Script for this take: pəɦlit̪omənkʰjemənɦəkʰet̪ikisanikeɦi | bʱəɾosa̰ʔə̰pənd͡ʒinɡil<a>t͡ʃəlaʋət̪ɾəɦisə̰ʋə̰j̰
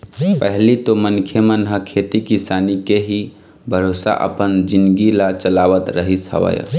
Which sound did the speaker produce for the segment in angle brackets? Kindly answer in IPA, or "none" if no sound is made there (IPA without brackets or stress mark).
a